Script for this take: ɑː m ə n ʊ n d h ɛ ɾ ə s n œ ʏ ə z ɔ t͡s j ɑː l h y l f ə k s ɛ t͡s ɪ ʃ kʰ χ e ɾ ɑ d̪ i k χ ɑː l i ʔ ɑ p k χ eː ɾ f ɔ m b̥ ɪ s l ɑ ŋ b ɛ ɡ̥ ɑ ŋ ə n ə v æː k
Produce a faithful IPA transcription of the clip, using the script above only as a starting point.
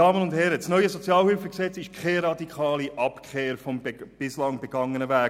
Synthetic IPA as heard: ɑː m ə n ʊ n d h ɛ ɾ ə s n œ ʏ ə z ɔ t͡s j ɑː l h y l f ə k s ɛ t͡s ɪ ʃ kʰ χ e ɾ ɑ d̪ i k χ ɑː l i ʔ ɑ p k χ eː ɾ f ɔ m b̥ ɪ s l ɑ ŋ b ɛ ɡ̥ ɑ ŋ ə n ə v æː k

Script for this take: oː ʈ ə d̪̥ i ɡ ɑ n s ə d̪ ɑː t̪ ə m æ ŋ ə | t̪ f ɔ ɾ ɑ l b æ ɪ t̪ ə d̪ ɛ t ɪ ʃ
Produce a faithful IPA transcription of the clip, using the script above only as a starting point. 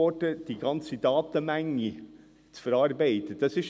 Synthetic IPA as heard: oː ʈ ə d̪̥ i ɡ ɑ n s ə d̪ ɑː t̪ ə m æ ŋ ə | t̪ f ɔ ɾ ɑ ɾ b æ ɪ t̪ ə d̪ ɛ s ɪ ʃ

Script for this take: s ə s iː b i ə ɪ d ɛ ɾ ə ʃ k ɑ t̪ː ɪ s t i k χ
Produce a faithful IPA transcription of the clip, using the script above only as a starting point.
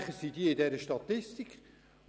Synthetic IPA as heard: χ ə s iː d i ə ɪ d ɛ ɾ ə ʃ t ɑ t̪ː ɪ s t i k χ

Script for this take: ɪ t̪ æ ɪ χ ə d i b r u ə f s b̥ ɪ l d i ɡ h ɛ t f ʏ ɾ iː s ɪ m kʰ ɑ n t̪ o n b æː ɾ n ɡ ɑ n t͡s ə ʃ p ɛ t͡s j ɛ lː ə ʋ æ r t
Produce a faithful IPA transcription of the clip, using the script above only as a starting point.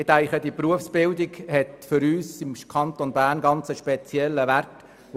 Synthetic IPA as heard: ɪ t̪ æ ɪ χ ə d i p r u ə f s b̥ ɪ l d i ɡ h ɛ t f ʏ ɾ yː s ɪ m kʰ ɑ n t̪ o n b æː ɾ n ɡ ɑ n t͡s ə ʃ p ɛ t͡s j ɛ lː ə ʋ æ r t

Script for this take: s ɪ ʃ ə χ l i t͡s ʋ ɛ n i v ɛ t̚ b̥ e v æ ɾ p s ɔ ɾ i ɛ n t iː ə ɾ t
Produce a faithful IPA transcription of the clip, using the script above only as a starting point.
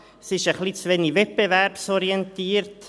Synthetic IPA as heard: s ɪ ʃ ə χ l i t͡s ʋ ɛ n i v ɛ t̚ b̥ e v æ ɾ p s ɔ ɾ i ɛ n t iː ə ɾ t

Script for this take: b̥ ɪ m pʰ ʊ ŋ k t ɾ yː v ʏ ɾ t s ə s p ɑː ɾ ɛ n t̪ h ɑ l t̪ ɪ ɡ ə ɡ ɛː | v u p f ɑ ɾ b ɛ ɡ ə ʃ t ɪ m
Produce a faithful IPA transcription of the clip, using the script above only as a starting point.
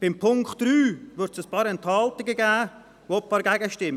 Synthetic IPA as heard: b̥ ɪ m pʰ ʊ ŋ k t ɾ yː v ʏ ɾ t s ə s p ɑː ɾ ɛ n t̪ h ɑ l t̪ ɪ ɡ ə ɡ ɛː | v o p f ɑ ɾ ɡ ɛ ɡ ə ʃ t ɪ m

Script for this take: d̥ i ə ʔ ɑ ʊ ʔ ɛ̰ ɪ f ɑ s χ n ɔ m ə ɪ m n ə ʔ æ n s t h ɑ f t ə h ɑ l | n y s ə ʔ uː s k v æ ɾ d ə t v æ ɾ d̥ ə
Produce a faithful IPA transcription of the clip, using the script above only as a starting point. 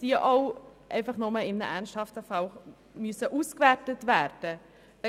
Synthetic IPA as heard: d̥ i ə ʔ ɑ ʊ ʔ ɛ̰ ɪ f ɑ χ n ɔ m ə ɪ m n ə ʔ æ n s t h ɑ f t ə f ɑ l | m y s ə ʔ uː s k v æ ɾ t ə t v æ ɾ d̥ ə

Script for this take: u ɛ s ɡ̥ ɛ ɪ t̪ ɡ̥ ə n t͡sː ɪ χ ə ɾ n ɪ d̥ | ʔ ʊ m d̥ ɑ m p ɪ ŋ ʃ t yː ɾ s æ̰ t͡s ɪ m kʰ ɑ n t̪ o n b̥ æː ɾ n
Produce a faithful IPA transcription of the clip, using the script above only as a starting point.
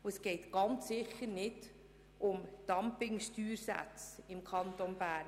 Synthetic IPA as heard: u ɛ s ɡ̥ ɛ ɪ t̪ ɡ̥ ɑ n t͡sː ɪ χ ə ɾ n ɪ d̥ | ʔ ʊ m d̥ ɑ m p ɪ ŋ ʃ t yː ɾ s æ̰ t͡s ɪ m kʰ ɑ n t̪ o n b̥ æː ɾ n

